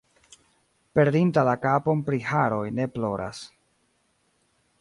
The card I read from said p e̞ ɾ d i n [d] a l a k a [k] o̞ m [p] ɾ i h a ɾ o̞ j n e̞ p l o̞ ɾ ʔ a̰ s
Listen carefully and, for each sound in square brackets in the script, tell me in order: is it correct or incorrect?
incorrect: t, incorrect: p, correct

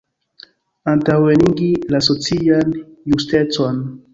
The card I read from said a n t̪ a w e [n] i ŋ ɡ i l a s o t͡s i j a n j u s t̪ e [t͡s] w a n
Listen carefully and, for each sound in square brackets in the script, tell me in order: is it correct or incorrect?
correct, correct

